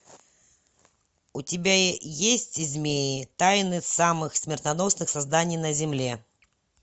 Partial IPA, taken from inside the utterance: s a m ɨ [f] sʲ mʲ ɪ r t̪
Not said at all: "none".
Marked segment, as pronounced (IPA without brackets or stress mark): x